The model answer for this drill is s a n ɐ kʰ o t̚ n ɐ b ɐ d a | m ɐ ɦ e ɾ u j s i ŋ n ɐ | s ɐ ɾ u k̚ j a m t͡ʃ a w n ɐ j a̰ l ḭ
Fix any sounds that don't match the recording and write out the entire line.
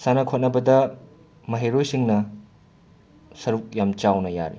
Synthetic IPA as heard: s a n ɐ kʰ o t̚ n ɐ b ɐ d ɐ | m ɐ ɦ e ɾ o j s i ŋ n ɐ | s ɐ ɾ u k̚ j a m t͡ʃ a w n ɐ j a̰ ɾ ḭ